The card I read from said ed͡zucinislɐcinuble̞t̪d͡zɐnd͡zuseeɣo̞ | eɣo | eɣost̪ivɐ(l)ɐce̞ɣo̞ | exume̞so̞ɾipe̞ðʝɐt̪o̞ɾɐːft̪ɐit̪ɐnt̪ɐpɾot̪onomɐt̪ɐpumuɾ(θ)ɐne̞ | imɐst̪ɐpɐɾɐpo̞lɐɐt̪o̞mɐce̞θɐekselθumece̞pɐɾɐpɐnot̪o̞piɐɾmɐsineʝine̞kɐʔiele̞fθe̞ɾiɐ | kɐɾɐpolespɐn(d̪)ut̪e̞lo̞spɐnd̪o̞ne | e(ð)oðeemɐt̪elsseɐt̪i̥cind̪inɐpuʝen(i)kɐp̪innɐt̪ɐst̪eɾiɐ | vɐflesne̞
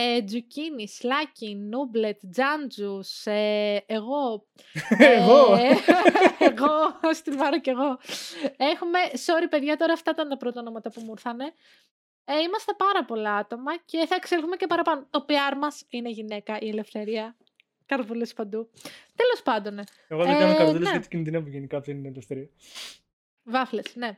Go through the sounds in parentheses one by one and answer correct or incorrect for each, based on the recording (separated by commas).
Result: incorrect, correct, correct, incorrect, correct